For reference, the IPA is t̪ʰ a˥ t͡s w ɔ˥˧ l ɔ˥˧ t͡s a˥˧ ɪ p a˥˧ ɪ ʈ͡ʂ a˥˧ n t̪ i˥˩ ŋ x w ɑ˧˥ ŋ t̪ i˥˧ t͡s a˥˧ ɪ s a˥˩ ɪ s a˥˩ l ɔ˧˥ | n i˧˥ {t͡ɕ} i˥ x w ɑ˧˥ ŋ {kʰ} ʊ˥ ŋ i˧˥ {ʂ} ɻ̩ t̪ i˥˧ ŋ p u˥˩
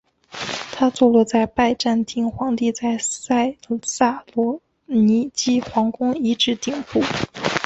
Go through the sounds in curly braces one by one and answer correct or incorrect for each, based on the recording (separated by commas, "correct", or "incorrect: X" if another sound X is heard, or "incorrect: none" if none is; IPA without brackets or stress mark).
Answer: correct, incorrect: k, incorrect: ʈ͡ʂ